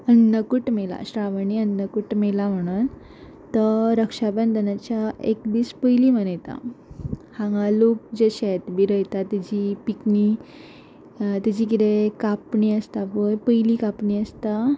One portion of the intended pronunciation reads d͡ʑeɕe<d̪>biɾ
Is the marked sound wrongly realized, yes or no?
yes